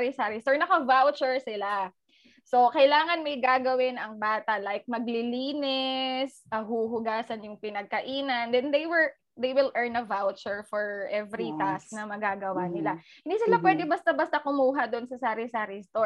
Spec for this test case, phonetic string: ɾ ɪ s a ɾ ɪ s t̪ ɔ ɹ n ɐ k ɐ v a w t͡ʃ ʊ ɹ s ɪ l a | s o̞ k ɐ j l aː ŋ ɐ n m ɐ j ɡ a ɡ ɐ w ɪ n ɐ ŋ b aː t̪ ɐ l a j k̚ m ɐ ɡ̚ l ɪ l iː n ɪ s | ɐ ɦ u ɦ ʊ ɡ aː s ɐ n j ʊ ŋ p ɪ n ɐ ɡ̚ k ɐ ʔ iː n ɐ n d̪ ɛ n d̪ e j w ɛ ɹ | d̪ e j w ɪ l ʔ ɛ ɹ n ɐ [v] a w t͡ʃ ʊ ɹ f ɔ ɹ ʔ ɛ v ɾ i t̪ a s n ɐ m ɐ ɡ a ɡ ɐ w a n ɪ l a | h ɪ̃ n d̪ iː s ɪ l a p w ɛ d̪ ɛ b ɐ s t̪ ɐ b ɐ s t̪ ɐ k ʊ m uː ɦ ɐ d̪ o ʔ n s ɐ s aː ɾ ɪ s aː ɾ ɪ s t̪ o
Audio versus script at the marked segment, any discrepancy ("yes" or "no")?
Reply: no